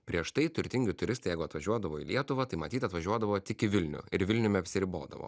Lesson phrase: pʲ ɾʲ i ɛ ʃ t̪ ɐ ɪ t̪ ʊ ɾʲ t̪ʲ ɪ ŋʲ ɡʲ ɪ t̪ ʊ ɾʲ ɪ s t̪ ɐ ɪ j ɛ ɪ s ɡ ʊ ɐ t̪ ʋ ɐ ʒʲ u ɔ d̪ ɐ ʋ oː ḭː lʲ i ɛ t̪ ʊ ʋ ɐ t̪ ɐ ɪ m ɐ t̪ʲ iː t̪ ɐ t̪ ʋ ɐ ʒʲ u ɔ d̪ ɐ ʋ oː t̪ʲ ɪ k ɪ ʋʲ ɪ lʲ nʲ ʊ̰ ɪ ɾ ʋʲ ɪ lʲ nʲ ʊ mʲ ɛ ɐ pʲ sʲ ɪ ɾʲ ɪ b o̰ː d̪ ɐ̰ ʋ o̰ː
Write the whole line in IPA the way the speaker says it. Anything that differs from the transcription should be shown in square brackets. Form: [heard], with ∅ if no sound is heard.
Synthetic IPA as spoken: pʲ ɾʲ i ɛ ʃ t̪ ɐ ɪ t̪ ʊ ɾʲ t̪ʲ ɪ ŋʲ ɡʲ ɪ t̪ ʊ ɾʲ ɪ s t̪ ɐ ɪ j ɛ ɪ [∅] ɡ ʊ ɐ t̪ ʋ ɐ ʒʲ u ɔ d̪ ɐ ʋ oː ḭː lʲ i ɛ t̪ ʊ ʋ ɐ t̪ ɐ ɪ m ɐ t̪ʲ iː t̪ ɐ t̪ ʋ ɐ ʒʲ u ɔ d̪ ɐ ʋ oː t̪ʲ ɪ k ɪ ʋʲ ɪ lʲ nʲ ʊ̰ ɪ ɾ ʋʲ ɪ lʲ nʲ ʊ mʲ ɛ ɐ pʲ sʲ ɪ ɾʲ ɪ b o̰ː d̪ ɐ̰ ʋ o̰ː